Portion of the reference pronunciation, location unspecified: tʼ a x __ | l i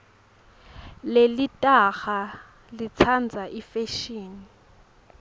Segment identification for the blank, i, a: a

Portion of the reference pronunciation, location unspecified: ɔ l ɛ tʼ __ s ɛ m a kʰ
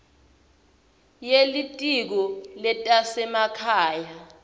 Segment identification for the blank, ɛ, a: a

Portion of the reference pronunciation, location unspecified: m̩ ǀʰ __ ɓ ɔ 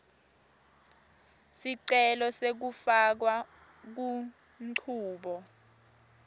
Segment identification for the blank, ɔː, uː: uː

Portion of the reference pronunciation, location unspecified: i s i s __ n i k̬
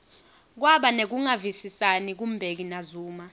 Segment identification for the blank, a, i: a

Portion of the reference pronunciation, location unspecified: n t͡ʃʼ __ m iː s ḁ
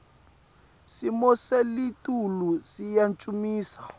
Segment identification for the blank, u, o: u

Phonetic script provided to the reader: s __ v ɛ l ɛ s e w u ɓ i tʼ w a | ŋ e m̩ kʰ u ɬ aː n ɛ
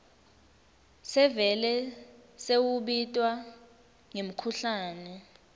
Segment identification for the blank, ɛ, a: ɛ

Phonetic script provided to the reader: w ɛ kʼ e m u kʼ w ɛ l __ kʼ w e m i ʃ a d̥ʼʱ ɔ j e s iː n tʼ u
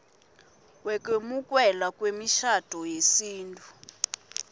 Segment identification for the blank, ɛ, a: a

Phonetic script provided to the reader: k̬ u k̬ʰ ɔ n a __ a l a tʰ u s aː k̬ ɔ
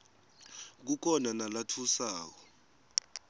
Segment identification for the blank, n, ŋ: n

